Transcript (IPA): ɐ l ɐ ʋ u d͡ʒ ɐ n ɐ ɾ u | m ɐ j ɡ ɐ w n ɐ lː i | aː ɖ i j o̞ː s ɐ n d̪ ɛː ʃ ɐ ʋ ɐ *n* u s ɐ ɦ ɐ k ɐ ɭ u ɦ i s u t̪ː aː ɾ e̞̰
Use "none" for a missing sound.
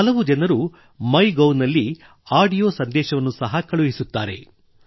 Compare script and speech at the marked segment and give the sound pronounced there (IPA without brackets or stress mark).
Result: nː